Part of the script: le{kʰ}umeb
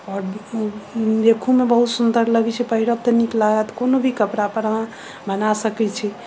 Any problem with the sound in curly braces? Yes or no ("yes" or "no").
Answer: no